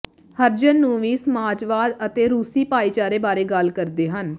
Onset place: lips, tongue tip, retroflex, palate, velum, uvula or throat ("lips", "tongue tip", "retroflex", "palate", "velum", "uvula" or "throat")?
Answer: throat